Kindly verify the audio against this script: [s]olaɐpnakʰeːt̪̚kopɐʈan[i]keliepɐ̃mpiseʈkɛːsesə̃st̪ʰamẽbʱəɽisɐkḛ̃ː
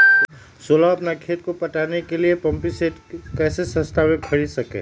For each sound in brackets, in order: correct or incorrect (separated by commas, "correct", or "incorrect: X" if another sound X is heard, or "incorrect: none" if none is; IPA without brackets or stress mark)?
correct, incorrect: e